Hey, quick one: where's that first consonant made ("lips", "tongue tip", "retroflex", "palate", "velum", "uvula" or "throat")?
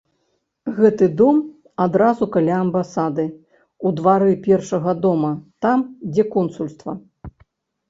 velum